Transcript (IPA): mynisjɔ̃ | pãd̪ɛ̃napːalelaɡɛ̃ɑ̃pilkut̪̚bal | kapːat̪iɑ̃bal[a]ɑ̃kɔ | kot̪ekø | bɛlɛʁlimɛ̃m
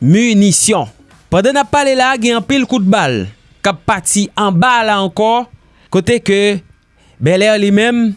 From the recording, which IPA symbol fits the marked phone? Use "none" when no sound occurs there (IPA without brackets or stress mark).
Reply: a